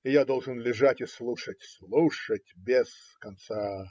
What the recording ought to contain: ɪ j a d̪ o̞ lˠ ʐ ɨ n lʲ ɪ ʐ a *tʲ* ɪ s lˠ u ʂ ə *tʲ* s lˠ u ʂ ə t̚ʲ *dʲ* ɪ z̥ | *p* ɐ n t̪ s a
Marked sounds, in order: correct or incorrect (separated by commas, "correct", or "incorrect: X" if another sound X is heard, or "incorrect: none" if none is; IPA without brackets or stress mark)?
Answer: correct, correct, incorrect: bʲ, incorrect: k